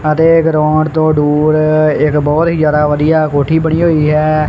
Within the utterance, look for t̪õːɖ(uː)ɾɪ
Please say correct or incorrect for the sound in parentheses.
correct